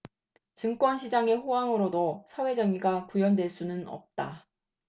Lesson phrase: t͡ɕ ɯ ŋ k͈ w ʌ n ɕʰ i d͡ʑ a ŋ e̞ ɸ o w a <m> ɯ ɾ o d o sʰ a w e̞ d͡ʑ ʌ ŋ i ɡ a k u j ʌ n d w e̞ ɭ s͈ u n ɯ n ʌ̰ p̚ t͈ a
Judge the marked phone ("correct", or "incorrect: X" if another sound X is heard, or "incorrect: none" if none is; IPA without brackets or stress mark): incorrect: ŋ